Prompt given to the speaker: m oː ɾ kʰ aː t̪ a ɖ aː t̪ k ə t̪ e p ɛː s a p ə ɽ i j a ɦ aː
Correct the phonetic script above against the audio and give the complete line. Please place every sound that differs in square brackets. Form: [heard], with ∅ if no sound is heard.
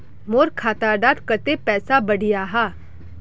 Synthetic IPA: m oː ɾ kʰ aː t̪ a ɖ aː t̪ k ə t̪ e p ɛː s a [b] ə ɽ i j a ɦ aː